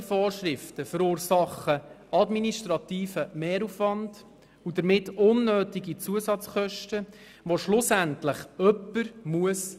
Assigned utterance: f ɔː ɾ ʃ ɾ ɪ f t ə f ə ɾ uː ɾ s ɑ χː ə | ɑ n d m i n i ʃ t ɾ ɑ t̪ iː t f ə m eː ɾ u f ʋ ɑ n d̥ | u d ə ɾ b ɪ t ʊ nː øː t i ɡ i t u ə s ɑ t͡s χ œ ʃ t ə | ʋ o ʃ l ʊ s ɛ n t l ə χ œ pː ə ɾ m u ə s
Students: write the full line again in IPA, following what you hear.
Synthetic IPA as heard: f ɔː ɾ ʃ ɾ ɪ f t ə f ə ɾ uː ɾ s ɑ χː ə | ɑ d m i n i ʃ t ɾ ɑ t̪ iː f ə m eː ɾ u f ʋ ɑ n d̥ | u d ə ɾ m ɪ t ʊ nː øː t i ɡ i t͡s u ə s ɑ t͡s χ œ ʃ t ə | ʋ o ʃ l ʊ s æ n t l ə χ œ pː ə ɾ m u ə s